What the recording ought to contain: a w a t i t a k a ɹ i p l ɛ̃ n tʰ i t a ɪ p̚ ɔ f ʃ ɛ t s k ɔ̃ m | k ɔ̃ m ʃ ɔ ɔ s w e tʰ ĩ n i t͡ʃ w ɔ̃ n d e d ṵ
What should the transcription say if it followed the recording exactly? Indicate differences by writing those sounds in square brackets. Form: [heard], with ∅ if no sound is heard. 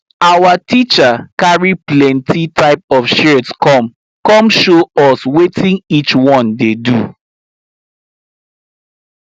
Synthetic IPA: a w a t i [t͡ʃ] a k a ɹ i p l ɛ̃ n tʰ i t a ɪ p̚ ɔ f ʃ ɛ t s k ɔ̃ m | k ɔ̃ m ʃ [o] ɔ s w e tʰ ĩ n i t͡ʃ w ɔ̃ n d e d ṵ